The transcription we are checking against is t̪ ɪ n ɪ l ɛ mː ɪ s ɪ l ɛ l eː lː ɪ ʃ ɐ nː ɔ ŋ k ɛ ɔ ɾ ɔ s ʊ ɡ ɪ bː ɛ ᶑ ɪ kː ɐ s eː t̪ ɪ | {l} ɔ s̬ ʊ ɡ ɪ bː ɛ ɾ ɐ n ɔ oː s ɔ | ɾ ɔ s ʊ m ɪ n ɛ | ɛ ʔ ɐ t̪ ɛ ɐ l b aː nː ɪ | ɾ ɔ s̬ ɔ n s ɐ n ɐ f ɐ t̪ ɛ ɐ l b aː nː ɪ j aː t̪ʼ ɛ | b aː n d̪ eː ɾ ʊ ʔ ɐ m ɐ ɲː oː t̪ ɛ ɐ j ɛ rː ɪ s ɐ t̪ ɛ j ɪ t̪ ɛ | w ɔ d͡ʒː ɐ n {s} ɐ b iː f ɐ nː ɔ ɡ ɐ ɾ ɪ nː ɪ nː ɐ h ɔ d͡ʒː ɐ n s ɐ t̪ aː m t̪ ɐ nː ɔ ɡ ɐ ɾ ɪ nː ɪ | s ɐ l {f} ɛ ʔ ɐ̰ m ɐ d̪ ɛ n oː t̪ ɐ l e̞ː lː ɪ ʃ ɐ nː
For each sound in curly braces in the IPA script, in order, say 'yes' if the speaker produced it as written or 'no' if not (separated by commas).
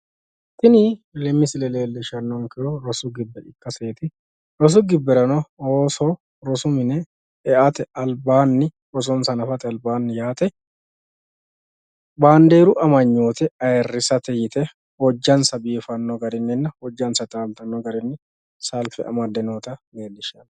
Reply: no, yes, yes